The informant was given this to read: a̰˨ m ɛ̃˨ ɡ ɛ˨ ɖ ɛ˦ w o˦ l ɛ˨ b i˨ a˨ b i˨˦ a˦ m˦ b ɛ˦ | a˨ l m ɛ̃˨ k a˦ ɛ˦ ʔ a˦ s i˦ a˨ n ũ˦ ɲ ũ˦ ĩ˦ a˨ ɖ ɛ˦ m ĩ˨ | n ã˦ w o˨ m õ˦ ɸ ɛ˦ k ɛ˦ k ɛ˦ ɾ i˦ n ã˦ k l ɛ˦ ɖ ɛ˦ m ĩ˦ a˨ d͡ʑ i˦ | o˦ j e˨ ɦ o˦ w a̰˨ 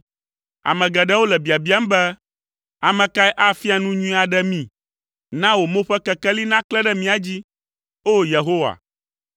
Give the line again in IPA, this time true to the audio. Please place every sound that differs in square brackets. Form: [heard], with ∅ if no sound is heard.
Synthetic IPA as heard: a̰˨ m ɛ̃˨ ɡ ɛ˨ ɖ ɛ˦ w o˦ l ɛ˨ b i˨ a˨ b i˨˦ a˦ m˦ b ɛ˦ | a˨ [∅] m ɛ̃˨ k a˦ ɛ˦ ʔ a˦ [f] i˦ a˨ n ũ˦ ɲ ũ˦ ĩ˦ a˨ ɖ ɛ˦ m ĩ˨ | n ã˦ w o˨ m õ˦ ɸ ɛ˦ k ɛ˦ k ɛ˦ [l] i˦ n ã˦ k l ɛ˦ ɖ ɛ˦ m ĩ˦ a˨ d͡ʑ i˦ | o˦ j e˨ ɦ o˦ w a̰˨